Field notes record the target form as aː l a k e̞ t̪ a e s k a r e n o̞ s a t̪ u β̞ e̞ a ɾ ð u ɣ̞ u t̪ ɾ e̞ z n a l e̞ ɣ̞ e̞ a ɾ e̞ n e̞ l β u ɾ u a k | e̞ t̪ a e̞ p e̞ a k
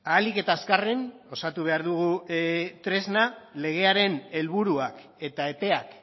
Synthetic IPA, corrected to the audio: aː l i k e̞ t̪ a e s k a r e n o̞ s a t̪ u β̞ e̞ a ɾ ð u ɣ̞ u t̪ ɾ e̞ z n a l e̞ ɣ̞ e̞ a ɾ e̞ n e̞ l β u ɾ u a k | e̞ t̪ a e̞ p e̞ a k